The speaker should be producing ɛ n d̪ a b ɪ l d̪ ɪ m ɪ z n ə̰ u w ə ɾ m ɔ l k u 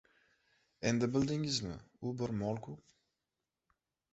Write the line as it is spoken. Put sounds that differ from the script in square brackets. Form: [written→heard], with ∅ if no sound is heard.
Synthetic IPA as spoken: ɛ n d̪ [a→ə] b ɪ l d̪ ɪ [m→ŋ] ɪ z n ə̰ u [w→b] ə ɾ m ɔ l k u